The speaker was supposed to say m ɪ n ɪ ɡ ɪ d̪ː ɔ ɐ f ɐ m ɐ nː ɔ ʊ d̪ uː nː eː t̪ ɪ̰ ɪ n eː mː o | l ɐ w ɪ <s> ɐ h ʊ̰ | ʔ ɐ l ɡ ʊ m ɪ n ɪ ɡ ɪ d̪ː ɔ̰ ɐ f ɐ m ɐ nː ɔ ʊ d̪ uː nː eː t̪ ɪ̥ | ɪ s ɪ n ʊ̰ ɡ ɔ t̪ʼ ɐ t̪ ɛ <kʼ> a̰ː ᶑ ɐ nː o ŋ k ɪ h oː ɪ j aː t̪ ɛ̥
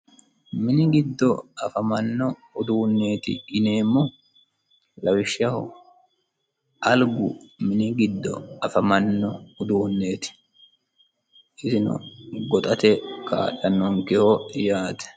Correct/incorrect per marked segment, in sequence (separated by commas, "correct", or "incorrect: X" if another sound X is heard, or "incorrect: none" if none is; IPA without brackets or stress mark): incorrect: ʃ, incorrect: k